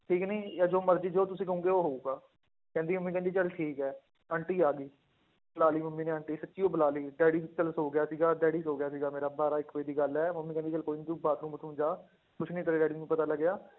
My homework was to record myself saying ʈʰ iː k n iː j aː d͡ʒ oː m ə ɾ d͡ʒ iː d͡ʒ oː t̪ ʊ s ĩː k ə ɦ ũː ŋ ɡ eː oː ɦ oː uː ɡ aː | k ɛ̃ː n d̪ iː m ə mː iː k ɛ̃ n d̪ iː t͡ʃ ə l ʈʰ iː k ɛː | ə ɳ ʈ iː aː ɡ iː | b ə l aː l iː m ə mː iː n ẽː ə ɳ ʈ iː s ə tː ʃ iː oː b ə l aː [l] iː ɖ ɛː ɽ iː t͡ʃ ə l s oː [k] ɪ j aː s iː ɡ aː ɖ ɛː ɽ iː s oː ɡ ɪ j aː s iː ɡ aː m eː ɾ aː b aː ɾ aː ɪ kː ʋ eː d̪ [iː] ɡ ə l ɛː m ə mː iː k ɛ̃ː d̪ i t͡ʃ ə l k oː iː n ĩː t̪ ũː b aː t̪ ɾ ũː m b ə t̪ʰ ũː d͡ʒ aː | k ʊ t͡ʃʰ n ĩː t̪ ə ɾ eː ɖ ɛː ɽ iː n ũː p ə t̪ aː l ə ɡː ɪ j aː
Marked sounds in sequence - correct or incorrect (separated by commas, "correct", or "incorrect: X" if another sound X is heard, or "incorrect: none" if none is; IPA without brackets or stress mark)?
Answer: correct, incorrect: ɡ, correct